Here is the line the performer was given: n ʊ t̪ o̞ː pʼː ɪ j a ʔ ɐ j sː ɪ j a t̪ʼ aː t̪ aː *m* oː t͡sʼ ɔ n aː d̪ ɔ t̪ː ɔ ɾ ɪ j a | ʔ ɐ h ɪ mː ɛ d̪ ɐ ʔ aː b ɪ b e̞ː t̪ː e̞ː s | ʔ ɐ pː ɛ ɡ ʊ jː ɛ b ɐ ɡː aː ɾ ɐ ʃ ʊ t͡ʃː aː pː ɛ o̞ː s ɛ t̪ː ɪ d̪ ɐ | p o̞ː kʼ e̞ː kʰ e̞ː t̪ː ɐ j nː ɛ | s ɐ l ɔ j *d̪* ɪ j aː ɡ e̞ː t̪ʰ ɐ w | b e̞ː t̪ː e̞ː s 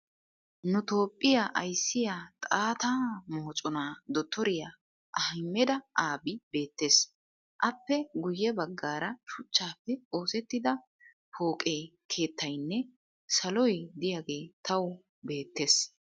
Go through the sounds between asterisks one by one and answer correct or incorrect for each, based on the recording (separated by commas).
correct, correct